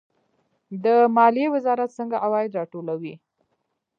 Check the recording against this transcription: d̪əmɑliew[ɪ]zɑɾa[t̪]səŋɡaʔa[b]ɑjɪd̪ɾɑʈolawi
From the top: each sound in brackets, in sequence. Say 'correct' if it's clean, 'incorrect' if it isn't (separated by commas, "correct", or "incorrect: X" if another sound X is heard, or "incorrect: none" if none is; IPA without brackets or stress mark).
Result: correct, correct, incorrect: w